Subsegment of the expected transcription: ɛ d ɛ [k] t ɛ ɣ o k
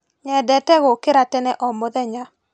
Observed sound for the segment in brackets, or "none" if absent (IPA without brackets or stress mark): none